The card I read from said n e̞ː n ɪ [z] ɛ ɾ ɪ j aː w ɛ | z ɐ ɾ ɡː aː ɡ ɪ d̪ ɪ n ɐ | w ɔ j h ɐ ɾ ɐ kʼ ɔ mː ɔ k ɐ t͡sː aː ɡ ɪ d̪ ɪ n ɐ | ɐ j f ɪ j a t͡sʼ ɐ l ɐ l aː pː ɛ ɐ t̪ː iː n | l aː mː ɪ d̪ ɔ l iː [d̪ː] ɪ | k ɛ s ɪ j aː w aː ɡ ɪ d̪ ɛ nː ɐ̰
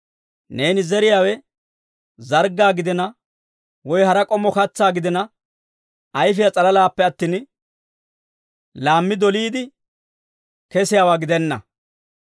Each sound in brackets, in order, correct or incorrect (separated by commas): correct, incorrect